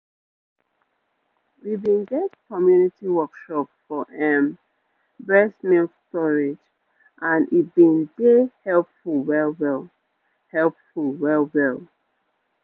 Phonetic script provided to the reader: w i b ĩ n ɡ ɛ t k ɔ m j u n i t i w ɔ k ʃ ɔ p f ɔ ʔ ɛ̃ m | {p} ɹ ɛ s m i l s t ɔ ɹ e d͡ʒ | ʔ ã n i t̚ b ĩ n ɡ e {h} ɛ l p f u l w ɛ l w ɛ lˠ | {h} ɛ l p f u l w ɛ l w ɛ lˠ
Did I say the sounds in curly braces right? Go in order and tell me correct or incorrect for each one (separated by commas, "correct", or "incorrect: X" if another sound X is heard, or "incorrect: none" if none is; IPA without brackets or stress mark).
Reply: incorrect: b, correct, correct